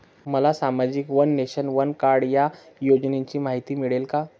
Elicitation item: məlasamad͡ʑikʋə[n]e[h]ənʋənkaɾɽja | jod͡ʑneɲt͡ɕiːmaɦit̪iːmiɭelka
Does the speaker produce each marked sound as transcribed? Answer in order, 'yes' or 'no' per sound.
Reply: no, no

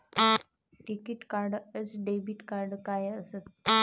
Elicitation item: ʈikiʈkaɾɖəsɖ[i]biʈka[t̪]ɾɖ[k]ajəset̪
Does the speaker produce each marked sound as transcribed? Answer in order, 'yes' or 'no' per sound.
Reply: no, no, yes

